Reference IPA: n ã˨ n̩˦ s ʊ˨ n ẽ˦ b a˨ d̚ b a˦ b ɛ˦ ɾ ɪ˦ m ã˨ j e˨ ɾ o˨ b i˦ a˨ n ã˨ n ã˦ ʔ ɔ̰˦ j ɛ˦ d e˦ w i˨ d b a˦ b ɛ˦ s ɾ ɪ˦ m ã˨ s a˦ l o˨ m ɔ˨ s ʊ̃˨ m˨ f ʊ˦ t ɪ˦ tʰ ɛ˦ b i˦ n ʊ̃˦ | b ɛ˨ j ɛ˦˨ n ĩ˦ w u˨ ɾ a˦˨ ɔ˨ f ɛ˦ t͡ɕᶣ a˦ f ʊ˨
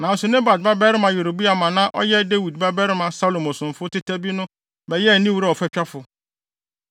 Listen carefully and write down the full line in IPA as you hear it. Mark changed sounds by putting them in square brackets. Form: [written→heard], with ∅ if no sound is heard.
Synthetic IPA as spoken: n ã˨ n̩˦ s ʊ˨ n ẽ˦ b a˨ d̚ b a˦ b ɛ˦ ɾ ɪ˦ m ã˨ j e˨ ɾ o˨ b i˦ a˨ [n→m] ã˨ n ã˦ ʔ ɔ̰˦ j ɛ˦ d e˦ w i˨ d b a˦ b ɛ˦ [s→∅] ɾ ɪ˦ m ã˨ s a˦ l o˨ m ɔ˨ s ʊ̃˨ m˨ f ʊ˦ t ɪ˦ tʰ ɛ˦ b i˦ n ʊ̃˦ | b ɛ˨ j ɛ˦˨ n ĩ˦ w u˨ ɾ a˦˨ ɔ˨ f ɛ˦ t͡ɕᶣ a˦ f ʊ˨

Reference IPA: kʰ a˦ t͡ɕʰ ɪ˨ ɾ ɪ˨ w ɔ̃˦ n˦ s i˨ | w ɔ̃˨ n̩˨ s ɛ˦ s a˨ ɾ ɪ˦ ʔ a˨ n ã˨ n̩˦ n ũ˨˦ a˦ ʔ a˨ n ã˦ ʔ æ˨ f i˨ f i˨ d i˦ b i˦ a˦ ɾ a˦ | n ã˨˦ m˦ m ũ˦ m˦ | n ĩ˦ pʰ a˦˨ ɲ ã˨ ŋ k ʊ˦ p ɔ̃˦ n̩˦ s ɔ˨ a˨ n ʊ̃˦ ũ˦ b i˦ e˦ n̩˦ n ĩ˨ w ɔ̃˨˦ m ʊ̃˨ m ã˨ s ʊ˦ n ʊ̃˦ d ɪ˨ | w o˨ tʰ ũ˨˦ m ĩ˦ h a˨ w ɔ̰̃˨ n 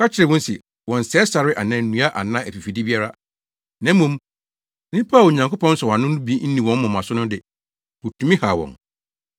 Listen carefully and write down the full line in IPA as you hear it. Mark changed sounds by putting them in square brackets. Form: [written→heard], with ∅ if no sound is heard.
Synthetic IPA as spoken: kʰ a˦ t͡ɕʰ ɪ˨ ɾ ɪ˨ w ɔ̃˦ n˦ s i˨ | w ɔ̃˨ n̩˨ s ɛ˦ s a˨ ɾ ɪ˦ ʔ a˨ n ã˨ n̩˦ n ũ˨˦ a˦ ʔ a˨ n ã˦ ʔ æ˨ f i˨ f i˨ d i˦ b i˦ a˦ ɾ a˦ | n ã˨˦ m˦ m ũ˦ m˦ | n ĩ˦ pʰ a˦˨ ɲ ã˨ ŋ k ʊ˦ p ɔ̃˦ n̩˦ s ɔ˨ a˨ n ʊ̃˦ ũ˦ b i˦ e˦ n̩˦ n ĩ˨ w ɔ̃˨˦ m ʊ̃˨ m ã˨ s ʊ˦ n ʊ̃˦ d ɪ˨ | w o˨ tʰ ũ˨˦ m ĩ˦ h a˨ w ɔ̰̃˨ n

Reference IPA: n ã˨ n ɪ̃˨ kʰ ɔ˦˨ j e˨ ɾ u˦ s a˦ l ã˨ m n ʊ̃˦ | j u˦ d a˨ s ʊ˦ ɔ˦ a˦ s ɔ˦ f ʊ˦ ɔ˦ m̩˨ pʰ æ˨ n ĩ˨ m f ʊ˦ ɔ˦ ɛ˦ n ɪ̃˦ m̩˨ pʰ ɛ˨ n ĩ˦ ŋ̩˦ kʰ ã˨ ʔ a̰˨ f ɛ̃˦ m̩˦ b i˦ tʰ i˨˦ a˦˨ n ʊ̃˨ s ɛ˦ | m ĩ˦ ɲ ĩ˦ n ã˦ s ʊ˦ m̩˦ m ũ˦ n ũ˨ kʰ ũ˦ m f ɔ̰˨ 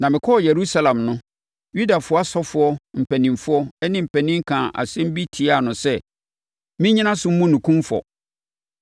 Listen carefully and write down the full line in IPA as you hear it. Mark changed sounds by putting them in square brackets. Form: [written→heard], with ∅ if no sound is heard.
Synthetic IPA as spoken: n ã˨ [n→m] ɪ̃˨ kʰ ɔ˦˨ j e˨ ɾ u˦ s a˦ l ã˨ m n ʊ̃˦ | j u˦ d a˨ [s→f] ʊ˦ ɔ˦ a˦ s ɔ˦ f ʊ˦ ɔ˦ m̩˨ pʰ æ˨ n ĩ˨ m f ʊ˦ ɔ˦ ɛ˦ n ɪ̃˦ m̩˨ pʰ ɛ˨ n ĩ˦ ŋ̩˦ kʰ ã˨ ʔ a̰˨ [f→s] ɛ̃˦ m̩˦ b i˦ tʰ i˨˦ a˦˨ n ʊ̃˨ s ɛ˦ | m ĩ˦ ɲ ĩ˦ n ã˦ s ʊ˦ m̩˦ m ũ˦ n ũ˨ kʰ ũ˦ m f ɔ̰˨

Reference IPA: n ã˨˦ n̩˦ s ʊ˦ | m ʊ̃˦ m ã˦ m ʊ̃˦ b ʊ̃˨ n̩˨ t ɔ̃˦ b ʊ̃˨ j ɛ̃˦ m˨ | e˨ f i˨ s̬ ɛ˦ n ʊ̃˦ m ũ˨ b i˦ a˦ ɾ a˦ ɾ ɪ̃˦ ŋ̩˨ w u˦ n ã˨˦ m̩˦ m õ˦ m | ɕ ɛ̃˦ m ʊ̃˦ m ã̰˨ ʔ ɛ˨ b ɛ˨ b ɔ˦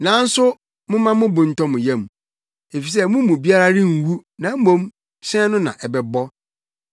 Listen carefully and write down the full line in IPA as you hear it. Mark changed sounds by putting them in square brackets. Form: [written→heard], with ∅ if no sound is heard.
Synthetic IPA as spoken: n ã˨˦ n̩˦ s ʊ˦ | m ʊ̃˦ m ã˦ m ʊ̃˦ b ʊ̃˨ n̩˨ t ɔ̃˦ [b→m] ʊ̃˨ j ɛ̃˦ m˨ | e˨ f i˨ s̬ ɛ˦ [n→m] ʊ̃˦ m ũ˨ b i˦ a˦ ɾ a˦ ɾ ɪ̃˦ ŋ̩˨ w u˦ n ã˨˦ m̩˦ m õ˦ m | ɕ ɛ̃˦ [m→n] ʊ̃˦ [m→n] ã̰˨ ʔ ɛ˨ b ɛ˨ b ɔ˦

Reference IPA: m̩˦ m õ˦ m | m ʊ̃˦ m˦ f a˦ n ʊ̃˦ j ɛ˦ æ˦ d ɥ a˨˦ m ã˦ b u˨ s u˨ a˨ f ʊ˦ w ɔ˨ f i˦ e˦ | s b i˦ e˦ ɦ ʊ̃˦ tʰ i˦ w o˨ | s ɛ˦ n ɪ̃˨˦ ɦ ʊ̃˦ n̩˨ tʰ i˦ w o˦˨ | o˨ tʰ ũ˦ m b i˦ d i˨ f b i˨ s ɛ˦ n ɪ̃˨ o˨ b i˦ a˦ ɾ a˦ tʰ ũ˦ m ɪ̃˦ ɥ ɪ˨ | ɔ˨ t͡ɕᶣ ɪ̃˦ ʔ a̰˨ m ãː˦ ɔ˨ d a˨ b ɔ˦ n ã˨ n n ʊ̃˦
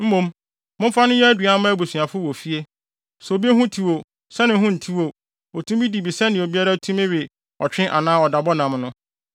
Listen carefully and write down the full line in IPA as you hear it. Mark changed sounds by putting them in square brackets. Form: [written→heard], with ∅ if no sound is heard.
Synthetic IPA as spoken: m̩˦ m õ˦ m | m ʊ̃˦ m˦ f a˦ n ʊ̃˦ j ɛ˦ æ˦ d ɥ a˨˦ m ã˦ b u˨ s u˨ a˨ f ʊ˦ w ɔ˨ f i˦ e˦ | s b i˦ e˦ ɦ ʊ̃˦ tʰ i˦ w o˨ | s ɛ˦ n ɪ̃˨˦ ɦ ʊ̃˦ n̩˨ tʰ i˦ w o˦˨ | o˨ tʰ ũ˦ m b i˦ d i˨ [f→∅] b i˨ s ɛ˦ n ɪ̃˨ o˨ b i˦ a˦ ɾ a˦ tʰ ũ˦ m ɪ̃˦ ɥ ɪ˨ | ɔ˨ t͡ɕᶣ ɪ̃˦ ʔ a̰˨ [m→n] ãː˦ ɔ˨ d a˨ b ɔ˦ n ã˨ [n→m] n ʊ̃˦

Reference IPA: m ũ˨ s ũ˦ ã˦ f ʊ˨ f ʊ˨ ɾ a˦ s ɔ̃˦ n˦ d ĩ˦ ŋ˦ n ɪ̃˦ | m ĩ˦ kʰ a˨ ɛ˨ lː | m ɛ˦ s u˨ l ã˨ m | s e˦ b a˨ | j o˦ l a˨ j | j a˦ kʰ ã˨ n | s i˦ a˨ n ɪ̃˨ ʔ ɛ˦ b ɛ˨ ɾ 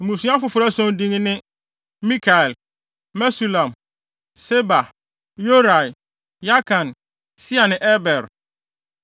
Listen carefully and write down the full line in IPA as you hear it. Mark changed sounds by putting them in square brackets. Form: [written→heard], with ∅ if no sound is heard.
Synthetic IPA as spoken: m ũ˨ s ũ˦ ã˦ f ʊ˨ f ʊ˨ ɾ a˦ s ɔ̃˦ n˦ d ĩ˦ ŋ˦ n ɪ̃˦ | m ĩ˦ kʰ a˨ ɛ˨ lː | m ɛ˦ s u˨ l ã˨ m | s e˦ b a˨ | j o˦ [l→ɾ] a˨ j | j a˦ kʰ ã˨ n | s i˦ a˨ n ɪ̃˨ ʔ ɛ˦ b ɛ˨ ɾ

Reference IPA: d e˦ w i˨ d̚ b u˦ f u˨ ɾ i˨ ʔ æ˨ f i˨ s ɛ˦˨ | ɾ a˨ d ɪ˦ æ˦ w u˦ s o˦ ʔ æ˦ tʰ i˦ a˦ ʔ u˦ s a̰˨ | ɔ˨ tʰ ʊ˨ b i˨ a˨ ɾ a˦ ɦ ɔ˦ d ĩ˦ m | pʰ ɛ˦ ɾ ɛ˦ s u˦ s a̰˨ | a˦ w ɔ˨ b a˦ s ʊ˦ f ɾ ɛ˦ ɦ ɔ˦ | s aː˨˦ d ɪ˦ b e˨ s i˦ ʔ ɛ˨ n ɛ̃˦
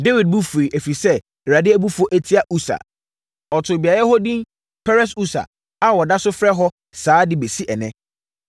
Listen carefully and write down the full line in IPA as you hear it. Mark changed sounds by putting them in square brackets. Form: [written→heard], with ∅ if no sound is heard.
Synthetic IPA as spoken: d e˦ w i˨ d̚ b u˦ f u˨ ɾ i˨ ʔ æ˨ f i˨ s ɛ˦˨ | ɾ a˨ d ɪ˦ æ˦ [w→b] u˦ [s→f] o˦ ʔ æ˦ tʰ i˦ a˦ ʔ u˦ s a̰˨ | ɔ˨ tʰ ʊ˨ b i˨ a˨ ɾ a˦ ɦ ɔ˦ d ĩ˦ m | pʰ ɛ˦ ɾ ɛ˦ s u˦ s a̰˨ | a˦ w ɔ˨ [b→d] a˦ s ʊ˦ f ɾ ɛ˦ ɦ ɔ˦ | s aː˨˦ d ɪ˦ b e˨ s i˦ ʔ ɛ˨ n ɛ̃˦

